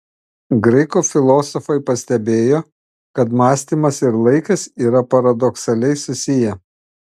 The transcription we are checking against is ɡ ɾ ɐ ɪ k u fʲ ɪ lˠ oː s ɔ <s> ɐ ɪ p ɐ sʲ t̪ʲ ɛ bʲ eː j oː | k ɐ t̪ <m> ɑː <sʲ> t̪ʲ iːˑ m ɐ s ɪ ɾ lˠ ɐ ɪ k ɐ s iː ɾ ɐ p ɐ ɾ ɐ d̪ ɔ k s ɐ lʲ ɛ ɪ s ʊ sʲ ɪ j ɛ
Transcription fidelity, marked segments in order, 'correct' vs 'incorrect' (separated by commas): incorrect, correct, correct